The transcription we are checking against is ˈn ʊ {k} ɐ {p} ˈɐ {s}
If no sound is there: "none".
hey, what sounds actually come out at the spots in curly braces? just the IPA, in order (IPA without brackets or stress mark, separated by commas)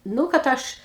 k, t, ʃ